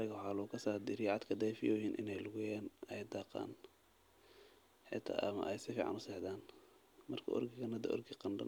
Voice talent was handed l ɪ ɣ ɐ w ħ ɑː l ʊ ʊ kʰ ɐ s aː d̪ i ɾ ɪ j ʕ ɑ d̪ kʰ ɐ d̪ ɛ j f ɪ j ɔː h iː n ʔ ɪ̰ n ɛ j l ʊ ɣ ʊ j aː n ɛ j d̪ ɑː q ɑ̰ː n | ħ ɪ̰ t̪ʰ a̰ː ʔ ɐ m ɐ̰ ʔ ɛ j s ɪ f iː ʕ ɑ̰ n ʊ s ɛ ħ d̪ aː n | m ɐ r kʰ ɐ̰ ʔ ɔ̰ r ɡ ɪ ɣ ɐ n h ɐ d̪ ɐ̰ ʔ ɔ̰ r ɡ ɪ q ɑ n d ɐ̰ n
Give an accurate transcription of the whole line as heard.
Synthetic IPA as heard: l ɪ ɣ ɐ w ħ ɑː l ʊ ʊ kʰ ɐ s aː d̪ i ɾ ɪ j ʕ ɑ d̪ kʰ ɐ d̪ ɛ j f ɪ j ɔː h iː n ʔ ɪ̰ n ɛ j l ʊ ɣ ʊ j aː n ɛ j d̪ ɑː q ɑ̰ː n | ħ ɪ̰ t̪ʰ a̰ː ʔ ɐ m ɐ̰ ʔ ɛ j s ɪ f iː ʕ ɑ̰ n ʊ s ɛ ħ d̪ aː n | m ɐ r kʰ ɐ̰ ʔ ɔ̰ r ɡ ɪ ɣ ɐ n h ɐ d̪ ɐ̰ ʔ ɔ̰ r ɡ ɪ q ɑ n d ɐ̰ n